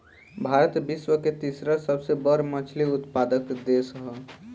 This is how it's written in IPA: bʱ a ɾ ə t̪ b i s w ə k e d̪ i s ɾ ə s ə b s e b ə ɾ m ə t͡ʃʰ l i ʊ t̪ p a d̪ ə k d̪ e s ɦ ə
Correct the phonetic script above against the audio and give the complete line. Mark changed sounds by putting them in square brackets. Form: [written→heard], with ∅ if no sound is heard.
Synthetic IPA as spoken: bʱ a ɾ ə t̪ b i s w ə k e [d̪→t̪] i s ɾ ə s ə b s e b ə ɾ m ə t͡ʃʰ l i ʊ t̪ p a d̪ ə k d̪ e s ɦ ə